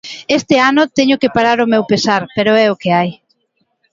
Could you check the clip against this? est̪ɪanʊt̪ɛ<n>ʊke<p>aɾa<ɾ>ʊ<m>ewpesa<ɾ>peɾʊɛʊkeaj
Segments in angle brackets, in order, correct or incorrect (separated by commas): incorrect, correct, correct, correct, correct